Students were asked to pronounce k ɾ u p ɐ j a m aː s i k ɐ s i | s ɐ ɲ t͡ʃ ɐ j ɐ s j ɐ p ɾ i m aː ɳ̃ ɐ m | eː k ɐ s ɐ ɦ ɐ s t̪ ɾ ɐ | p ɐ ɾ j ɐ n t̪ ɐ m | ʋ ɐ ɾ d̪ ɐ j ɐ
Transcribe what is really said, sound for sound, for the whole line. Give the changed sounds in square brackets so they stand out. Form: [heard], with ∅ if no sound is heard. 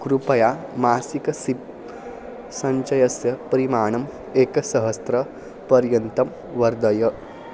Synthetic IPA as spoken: k ɾ u p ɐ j a m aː s i k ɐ s i | s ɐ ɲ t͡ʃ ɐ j ɐ s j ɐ p ɾ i m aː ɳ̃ ɐ m | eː k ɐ s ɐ ɦ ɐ s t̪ ɾ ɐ | p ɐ ɾ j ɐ n t̪ ɐ m | ʋ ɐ ɾ d̪ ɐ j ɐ